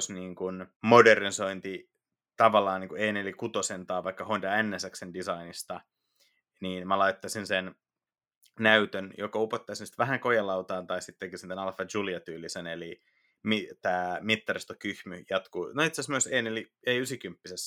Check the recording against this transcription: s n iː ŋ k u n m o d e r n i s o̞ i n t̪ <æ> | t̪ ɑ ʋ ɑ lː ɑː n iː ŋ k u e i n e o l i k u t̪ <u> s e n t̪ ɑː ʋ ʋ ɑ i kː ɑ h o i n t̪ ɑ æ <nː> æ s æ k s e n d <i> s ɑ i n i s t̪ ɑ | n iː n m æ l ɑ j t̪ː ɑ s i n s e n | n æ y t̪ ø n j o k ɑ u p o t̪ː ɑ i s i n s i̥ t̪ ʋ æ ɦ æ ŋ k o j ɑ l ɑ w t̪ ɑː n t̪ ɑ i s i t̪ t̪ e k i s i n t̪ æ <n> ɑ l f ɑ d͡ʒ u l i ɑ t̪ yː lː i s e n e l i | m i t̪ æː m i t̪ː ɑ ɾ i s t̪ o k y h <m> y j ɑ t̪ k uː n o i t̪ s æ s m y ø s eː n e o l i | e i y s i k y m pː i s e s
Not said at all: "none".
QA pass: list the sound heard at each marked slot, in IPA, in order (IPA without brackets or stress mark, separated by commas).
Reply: i, o, nː, i, n, m